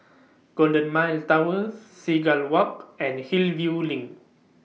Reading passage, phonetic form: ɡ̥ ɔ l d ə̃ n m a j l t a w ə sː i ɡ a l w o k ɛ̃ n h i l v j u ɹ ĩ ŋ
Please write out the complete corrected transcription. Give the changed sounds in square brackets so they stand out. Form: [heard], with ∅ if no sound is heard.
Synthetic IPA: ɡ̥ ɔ l d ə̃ n m a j l t a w ə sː i ɡ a l w [ɔ] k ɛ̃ n h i l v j u [l] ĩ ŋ